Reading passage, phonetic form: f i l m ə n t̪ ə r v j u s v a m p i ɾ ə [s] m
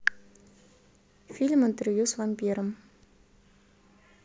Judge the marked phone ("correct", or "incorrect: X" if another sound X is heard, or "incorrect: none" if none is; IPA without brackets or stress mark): incorrect: none